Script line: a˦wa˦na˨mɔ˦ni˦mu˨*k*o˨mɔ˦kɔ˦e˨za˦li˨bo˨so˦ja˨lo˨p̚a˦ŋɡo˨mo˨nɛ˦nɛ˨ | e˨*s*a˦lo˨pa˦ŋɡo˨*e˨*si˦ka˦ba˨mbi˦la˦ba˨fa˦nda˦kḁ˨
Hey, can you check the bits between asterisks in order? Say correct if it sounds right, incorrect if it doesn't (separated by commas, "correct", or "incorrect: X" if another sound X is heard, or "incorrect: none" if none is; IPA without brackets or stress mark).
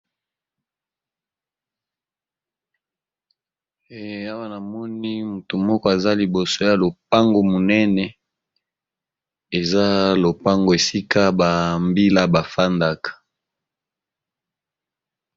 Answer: incorrect: t, incorrect: z, correct